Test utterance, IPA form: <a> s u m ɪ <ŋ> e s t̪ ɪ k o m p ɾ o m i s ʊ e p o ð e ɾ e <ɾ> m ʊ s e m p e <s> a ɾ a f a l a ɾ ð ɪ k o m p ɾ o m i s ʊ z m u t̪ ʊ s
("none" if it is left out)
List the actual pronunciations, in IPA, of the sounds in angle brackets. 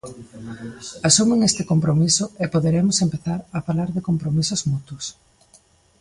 a, ŋ, none, θ

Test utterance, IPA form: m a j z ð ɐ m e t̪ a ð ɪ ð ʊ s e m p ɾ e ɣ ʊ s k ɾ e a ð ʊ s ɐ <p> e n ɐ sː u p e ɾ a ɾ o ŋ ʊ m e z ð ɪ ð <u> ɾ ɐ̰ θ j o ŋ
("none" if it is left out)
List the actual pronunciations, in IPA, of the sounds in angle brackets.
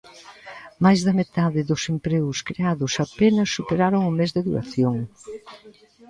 p, u

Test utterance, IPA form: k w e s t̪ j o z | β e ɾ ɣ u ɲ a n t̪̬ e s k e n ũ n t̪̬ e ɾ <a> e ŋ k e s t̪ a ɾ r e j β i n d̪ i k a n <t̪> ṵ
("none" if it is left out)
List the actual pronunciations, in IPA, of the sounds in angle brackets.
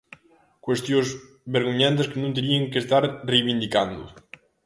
i, d̪

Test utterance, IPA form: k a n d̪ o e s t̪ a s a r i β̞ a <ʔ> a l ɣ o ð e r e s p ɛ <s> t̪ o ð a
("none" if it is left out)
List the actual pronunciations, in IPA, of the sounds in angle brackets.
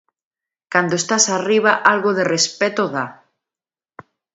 ʔ, none

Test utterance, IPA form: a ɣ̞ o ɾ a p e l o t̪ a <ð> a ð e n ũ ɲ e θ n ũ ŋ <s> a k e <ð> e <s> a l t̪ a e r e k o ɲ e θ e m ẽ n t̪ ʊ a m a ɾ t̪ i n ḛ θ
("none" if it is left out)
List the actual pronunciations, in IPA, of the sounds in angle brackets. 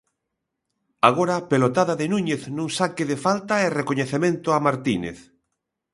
ð, s, ð, f

